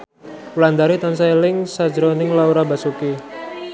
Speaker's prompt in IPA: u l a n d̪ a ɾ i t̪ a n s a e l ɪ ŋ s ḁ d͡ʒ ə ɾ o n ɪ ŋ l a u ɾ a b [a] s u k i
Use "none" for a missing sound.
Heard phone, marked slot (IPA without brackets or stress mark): a